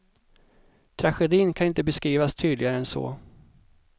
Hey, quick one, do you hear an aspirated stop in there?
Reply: yes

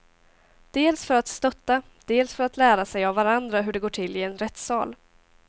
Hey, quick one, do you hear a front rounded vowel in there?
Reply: yes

